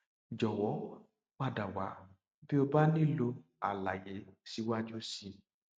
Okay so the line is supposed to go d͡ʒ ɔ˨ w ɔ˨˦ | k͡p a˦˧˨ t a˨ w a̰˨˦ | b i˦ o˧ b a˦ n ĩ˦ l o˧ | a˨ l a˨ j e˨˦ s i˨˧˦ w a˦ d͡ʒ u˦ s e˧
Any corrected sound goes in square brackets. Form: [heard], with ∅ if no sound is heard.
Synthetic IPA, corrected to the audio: d͡ʒ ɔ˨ w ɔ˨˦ | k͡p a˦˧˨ [d] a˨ w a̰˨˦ | b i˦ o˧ b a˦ n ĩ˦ l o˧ | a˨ l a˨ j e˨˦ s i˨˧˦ w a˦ d͡ʒ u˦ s [i˧]